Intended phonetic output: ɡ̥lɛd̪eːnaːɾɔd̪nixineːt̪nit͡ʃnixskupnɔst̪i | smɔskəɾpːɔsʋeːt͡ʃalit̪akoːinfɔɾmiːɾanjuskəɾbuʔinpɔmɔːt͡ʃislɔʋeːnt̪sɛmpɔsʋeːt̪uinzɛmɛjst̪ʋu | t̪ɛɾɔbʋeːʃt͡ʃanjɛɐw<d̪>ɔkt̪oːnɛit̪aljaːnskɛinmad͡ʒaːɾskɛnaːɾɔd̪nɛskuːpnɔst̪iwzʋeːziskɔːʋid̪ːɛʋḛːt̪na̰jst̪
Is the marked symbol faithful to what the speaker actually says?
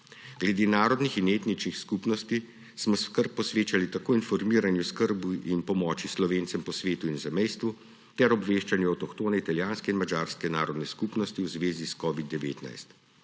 no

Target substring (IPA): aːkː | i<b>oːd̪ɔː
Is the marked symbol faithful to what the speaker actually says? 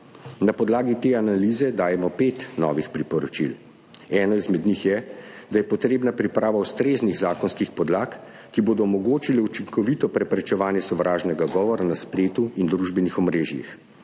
yes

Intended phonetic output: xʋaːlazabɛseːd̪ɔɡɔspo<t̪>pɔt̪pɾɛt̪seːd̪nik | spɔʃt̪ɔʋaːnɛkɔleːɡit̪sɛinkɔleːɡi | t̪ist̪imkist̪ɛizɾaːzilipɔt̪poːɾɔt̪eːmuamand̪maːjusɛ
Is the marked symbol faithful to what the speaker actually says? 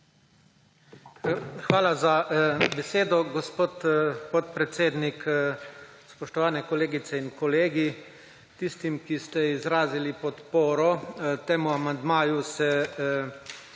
yes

